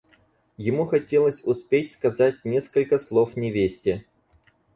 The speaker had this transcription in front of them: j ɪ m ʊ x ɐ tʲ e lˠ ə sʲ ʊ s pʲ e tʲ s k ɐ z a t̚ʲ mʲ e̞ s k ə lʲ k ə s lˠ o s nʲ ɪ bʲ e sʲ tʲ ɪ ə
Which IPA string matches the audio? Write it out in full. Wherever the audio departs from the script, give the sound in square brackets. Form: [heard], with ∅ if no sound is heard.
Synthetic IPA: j ɪ m [u] x ɐ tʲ e lˠ ə sʲ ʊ s pʲ e tʲ s k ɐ z a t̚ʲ [nʲ] e̞ s k ə lʲ k ə s lˠ o [f] nʲ ɪ [vʲ] e sʲ tʲ ɪ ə